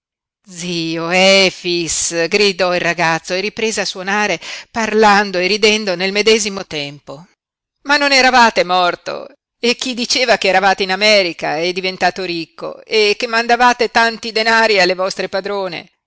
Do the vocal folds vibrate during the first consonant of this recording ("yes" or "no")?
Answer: yes